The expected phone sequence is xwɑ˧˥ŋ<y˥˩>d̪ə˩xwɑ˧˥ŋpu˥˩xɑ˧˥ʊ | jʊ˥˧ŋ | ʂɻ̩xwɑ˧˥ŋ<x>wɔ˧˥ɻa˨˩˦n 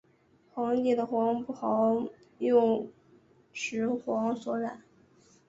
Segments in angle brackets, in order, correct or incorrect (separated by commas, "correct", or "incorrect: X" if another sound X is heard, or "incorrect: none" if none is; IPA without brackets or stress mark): incorrect: i˥˩, incorrect: s